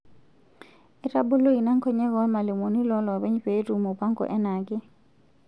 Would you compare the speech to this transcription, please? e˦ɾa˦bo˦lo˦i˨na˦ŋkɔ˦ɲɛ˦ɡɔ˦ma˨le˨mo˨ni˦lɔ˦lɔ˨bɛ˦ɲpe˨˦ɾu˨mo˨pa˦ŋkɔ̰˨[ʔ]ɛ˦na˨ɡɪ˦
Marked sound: correct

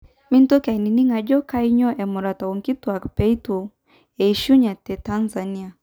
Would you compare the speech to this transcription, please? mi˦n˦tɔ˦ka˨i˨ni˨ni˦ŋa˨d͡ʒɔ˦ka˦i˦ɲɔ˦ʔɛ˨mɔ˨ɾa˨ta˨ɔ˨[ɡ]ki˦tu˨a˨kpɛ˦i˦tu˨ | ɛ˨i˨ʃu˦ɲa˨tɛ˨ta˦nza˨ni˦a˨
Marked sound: incorrect: ŋ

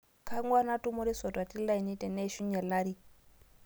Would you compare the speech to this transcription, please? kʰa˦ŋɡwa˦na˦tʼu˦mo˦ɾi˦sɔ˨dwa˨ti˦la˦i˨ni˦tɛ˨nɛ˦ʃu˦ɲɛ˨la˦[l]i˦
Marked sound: incorrect: ɾ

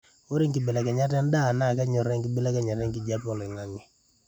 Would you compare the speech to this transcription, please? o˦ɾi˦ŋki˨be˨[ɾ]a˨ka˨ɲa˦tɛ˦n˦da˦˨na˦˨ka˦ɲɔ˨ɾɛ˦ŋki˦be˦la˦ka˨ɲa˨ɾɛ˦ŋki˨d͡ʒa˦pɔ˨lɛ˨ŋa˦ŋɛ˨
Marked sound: incorrect: l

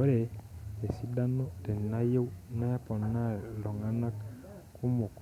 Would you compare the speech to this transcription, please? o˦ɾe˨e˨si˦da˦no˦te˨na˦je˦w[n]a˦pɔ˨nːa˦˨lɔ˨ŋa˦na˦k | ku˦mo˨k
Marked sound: correct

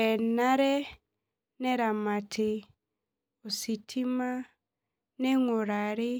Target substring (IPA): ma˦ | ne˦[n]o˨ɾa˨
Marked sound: incorrect: ŋ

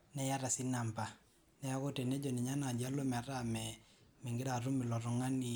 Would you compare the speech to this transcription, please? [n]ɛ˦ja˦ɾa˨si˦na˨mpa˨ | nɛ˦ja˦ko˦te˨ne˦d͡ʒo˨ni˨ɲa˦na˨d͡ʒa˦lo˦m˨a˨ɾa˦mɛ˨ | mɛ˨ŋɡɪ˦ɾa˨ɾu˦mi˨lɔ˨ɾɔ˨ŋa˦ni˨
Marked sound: correct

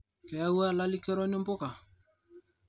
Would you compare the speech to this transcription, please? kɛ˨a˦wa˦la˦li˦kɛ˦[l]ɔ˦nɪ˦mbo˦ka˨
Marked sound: incorrect: ɾ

